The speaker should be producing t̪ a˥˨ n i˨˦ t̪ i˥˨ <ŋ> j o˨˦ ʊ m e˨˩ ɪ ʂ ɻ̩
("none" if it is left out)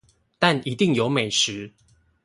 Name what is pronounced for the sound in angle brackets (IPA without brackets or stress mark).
ŋ